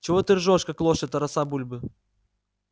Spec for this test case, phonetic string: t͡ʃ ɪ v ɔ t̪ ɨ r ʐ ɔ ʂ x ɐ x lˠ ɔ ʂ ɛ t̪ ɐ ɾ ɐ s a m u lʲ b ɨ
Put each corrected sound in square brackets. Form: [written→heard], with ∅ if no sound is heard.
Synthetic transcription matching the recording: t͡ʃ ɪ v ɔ t̪ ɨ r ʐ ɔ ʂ [x→k] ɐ [x→k] lˠ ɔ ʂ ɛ t̪ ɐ ɾ ɐ s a [m→b] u lʲ b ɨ